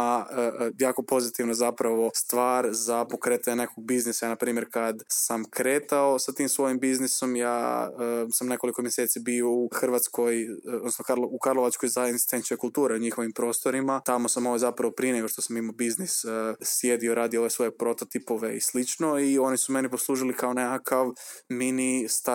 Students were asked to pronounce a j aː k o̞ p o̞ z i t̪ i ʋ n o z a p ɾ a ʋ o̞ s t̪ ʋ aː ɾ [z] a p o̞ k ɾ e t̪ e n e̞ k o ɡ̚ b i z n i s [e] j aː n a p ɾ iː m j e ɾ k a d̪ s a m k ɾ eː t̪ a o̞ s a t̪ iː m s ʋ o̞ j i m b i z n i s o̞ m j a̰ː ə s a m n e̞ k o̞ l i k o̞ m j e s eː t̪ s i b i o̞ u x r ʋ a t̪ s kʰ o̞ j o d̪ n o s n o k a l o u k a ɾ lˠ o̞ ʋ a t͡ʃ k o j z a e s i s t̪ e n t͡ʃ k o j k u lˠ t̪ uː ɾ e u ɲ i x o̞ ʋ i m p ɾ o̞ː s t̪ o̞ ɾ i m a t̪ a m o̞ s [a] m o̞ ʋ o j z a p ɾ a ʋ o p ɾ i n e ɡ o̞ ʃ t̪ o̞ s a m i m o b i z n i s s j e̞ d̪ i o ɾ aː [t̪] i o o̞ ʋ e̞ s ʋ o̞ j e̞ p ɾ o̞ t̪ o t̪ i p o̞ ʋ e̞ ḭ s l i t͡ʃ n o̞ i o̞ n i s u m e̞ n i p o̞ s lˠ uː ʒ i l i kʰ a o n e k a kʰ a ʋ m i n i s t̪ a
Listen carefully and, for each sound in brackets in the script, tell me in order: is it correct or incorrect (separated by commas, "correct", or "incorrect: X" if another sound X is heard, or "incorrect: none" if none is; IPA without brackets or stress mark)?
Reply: correct, incorrect: a, correct, incorrect: d̪